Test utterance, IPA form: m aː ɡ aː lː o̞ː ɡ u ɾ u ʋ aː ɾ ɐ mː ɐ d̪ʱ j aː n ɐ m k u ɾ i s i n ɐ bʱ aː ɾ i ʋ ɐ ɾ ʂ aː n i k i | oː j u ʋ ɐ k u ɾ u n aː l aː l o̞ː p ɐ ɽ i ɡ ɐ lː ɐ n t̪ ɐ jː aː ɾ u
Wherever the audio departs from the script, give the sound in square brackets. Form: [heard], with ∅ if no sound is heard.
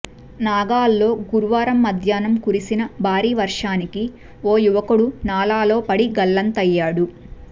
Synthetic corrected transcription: [n] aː ɡ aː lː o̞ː ɡ u ɾ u ʋ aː ɾ ɐ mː ɐ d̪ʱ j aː n ɐ m k u ɾ i s i n ɐ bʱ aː ɾ [iː] ʋ ɐ ɾ ʂ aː n i k i | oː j u ʋ ɐ k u [ɽ] u n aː l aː l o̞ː p ɐ ɽ i ɡ ɐ lː ɐ n t̪ ɐ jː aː [ɽ] u